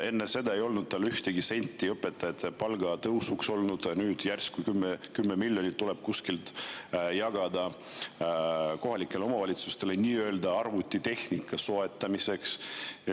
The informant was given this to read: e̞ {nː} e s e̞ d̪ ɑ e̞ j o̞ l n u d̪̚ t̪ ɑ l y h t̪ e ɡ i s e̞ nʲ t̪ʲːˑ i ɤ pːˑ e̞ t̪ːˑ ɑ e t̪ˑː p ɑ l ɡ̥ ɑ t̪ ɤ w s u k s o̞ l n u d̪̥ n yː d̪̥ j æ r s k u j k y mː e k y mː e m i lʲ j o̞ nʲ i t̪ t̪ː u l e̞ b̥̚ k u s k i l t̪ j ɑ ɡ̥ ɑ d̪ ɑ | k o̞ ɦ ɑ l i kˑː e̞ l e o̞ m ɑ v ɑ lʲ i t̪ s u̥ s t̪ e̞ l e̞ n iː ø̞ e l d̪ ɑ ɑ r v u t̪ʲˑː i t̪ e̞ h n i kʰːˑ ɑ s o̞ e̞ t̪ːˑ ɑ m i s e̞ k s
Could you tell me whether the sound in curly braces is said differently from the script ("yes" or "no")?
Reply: no